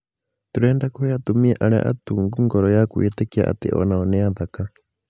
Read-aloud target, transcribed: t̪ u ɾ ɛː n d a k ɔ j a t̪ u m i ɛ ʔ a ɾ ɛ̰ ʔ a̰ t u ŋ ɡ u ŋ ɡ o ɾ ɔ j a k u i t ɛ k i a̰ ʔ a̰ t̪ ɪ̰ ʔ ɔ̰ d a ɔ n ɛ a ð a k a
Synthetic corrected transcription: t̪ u ɾ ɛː n d a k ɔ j a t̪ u m i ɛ ʔ a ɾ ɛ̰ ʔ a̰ t u ŋ ɡ u ŋ ɡ ɔ ɾ ɔ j a k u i t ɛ k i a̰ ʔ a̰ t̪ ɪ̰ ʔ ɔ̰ n a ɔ n ɛ a ð a k a